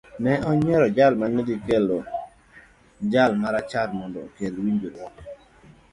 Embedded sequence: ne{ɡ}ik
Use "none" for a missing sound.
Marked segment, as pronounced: d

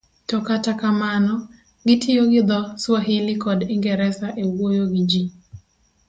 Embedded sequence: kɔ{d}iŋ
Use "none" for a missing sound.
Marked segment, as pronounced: d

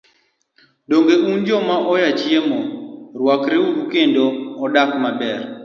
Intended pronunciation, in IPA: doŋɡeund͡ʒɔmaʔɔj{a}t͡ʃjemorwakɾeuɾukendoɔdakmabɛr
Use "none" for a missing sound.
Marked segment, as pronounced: a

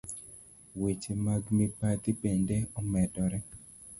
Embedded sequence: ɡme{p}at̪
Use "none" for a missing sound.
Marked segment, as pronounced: p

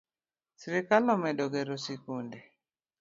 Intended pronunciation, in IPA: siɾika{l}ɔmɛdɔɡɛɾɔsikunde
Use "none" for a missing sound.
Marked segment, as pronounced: l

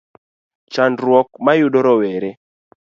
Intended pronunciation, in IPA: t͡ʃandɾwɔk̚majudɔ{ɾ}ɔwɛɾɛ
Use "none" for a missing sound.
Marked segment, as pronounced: ɾ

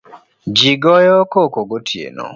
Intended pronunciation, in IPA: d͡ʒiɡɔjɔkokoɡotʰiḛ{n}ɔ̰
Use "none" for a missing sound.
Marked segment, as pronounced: n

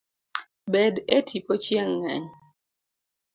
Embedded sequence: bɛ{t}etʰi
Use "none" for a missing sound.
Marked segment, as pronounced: d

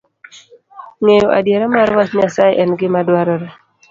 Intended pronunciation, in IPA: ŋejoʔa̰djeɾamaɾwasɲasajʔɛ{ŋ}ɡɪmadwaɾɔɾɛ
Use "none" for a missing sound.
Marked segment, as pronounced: n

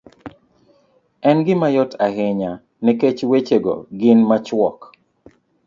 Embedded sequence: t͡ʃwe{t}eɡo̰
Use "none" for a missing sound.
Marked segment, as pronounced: t͡ʃ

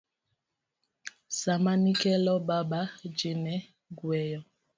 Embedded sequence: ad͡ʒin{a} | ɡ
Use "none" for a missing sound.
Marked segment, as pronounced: ɛ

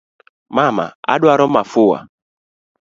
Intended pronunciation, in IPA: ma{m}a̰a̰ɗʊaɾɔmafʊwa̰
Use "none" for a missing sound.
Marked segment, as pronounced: m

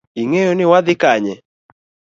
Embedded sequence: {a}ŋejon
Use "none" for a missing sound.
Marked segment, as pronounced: i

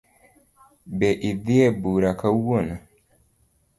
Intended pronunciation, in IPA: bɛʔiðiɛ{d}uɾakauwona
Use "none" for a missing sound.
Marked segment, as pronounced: b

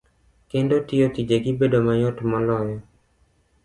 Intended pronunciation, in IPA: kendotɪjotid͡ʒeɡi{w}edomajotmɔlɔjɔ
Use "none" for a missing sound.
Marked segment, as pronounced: b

